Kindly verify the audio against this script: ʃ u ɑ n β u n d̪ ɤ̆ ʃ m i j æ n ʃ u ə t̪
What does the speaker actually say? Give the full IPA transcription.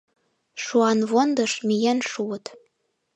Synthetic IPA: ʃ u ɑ n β o n d̪ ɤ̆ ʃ m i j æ n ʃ u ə t̪